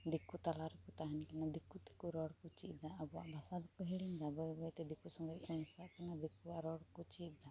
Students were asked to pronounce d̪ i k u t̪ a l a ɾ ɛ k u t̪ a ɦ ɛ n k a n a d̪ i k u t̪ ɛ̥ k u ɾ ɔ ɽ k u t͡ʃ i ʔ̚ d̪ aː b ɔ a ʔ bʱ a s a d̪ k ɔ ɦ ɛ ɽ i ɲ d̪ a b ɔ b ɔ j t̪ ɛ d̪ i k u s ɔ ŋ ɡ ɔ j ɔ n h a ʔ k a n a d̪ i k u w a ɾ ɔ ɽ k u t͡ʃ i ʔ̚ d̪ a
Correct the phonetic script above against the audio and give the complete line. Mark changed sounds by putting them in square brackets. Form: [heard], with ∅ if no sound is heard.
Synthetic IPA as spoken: d̪ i k u t̪ a l a ɾ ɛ k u t̪ a ɦ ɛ n k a n a d̪ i k u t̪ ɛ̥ k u ɾ ɔ ɽ k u t͡ʃ i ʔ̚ d̪ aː b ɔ a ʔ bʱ a s a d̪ k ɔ ɦ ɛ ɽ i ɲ d̪ a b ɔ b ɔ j t̪ ɛ d̪ i k u s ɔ ŋ ɡ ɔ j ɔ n [s] a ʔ k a n a d̪ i k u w a ɾ ɔ ɽ k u t͡ʃ i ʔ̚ d̪ a